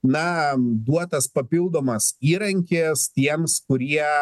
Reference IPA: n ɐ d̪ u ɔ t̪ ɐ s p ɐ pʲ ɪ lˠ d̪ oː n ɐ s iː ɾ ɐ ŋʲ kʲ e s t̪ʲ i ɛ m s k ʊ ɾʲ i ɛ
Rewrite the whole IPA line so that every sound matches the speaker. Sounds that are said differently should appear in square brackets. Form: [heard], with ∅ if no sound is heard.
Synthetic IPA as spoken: n ɐ d̪ u ɔ t̪ ɐ s p ɐ pʲ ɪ lˠ d̪ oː [m] ɐ s iː ɾ ɐ ŋʲ kʲ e s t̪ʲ i ɛ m s k ʊ ɾʲ i ɛ